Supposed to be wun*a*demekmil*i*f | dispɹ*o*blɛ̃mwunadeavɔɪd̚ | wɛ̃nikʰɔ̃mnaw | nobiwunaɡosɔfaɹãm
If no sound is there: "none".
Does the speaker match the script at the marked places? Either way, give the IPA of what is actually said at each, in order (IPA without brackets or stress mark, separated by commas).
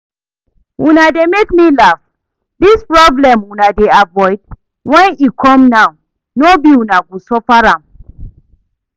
a, a, ɔ